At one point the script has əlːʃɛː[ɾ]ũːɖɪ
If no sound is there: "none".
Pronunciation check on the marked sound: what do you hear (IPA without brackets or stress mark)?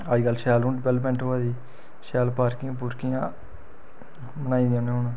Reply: l